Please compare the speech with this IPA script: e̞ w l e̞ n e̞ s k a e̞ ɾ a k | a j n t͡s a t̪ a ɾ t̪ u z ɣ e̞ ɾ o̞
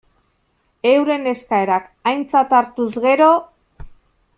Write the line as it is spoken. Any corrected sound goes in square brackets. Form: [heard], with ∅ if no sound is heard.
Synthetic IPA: e̞ w [ɾ] e̞ n e̞ s k a e̞ ɾ a k | a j n t͡s a t̪ a ɾ t̪ u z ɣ e̞ ɾ o̞